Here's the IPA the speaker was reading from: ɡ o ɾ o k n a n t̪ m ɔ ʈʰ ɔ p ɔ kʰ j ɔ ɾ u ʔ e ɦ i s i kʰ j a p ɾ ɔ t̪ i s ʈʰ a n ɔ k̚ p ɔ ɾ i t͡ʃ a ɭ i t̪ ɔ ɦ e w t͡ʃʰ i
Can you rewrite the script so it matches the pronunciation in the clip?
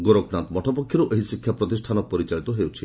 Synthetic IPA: ɡ o ɾ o k n a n t̪ m ɔ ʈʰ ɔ p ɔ kʰ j ɔ ɾ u ʔ e ɦ i s i kʰ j a p ɾ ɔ t̪ i s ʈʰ a n ɔ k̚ p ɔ ɾ i t͡ʃ a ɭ i t̪ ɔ ɦ e w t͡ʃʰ i